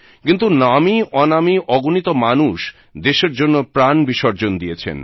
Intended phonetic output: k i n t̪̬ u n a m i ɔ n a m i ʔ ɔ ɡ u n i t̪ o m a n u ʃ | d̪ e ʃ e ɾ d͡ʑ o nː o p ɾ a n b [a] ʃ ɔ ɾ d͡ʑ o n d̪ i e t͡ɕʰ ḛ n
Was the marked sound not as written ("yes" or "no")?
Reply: yes